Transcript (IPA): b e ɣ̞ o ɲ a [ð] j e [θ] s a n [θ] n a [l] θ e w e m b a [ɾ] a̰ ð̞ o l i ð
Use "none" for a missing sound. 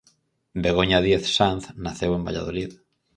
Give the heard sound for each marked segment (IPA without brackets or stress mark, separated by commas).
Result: ð, θ, θ, none, ʎ